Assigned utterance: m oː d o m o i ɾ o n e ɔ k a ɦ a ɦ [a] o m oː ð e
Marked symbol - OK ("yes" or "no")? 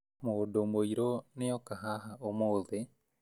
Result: yes